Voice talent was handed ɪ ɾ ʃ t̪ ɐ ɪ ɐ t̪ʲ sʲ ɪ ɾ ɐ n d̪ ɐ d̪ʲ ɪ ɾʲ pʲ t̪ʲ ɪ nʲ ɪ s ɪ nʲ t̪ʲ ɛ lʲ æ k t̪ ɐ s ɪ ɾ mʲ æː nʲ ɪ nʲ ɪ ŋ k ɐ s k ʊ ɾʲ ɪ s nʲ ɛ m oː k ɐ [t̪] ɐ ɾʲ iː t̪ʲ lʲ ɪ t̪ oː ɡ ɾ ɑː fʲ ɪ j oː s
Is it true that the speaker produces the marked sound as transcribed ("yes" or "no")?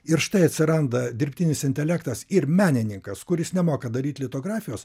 no